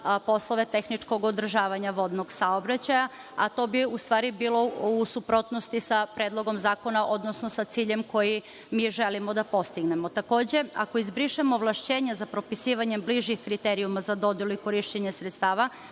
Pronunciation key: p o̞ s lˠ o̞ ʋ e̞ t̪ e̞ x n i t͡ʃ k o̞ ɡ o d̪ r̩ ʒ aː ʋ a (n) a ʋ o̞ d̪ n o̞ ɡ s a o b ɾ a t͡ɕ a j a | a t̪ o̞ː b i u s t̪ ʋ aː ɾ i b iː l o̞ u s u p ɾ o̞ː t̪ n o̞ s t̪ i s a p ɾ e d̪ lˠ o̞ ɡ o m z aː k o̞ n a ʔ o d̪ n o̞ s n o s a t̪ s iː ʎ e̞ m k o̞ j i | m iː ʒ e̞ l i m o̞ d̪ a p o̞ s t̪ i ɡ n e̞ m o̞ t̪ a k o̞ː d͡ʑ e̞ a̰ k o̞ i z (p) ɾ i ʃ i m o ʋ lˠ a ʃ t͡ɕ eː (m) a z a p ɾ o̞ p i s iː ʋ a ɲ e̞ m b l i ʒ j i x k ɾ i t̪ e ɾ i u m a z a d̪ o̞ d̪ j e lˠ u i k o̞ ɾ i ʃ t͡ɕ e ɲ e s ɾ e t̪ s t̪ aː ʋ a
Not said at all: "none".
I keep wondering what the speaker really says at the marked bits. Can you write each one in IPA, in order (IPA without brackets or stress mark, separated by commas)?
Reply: ɲ, b, ɲ